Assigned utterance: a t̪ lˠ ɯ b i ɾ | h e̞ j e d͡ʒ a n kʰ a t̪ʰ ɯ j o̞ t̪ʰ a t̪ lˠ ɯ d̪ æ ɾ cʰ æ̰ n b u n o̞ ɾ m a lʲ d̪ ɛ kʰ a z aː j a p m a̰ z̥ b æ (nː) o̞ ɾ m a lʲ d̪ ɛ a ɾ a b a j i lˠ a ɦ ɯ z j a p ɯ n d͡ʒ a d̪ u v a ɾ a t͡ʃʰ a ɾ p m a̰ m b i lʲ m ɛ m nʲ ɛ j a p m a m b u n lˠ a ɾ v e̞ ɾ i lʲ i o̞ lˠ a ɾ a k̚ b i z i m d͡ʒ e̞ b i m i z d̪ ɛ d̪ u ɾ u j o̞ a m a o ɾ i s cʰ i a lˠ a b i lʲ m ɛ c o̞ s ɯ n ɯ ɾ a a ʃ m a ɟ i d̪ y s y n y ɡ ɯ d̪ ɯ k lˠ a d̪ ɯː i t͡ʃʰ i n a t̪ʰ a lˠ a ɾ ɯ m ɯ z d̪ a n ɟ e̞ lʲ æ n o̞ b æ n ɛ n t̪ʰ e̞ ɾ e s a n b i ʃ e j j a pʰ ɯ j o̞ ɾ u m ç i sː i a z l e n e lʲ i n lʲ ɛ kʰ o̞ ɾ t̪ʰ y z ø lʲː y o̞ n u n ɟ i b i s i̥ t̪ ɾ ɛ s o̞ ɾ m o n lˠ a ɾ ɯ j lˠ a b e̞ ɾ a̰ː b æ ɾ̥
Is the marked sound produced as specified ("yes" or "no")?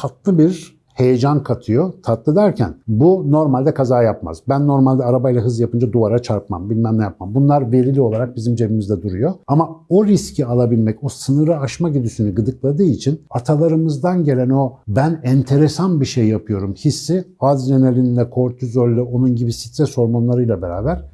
yes